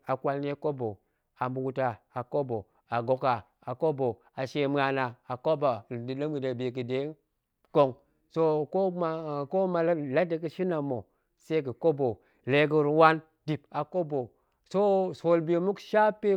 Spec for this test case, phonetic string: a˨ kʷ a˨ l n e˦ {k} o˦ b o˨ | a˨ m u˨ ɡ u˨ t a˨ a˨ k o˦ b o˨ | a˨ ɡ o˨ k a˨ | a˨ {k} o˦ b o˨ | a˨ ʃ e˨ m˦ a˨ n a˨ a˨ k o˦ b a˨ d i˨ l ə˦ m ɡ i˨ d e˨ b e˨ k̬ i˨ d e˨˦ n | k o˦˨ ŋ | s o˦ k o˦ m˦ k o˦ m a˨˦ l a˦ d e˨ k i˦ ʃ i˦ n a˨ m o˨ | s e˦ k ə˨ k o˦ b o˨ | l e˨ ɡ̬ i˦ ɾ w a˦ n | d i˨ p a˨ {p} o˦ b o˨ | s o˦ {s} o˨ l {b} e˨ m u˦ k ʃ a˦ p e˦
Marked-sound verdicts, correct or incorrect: correct, correct, incorrect, correct, correct

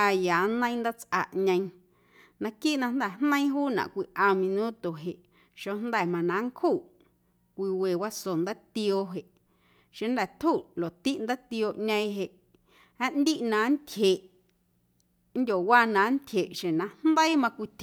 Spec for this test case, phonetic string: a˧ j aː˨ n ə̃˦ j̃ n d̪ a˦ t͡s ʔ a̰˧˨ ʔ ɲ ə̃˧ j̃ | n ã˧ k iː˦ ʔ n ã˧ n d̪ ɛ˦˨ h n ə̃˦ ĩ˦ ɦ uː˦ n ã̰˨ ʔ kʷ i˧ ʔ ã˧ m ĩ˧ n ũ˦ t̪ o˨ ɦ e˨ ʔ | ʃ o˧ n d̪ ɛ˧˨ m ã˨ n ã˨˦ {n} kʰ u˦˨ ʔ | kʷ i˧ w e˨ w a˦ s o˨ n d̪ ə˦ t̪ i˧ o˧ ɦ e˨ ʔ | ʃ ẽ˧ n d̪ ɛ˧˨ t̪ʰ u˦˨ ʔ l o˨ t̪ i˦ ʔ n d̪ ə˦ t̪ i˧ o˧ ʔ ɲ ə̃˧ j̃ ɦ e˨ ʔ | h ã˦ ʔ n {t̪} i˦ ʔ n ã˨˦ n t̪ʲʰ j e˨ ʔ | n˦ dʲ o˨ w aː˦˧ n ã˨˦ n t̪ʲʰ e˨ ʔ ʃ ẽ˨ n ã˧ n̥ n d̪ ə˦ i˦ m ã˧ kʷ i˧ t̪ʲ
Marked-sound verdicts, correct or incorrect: incorrect, incorrect

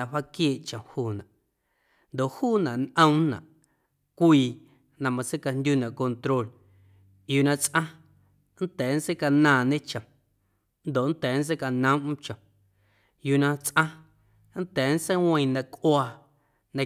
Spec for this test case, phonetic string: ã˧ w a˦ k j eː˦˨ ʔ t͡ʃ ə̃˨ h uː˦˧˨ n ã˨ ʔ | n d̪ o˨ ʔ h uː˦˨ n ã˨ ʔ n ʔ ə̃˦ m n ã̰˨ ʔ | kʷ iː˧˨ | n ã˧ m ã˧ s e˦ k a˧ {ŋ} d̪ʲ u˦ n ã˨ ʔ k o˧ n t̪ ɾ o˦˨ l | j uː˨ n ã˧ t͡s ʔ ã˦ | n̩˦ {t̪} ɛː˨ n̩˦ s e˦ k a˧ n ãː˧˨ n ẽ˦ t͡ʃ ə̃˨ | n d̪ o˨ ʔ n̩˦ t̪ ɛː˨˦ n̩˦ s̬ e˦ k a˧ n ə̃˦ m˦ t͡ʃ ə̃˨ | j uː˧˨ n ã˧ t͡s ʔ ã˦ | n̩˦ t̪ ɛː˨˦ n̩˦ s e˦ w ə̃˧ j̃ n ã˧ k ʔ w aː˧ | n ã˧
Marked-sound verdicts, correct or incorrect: incorrect, correct

